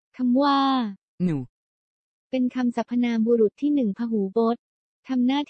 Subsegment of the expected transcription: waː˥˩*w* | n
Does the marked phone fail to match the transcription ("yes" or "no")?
yes